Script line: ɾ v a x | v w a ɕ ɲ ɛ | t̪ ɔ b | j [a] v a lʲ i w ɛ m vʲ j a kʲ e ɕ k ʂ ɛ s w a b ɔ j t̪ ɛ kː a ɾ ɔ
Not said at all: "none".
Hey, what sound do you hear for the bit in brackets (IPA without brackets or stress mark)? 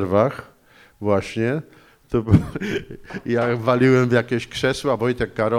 a